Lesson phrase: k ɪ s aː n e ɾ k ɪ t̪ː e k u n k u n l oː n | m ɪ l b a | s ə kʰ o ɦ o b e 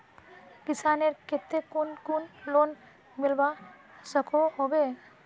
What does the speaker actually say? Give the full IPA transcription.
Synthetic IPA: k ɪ s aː n e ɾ k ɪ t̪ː e k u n k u n l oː n | m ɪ l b a | s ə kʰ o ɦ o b e